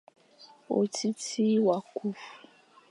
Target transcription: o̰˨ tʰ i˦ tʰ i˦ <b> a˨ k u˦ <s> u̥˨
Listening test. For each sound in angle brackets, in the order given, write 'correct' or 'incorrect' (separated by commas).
incorrect, incorrect